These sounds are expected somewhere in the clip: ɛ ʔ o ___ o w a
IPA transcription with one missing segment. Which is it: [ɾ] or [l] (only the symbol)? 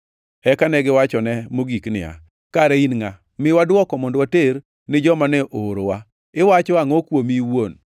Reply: ɾ